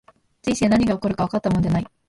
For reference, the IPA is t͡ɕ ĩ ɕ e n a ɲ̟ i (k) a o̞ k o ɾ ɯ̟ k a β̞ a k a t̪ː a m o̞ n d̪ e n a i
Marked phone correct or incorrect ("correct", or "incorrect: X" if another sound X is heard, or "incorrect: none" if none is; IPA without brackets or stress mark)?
incorrect: ɡ